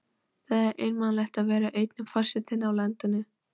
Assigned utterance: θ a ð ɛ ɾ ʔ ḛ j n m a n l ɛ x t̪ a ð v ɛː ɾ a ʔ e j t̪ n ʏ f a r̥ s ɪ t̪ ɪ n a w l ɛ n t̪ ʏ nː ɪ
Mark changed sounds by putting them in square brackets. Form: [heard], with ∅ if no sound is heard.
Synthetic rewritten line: θ a ð ɛ ɾ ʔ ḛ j n m a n l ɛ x t̪ a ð v ɛː ɾ a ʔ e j t̪ n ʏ f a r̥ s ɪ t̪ ɪ n a w l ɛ n t̪ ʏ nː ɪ